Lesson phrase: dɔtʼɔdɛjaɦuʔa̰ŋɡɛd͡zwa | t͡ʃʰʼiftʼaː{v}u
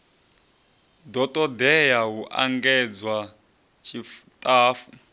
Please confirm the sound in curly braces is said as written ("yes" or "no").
no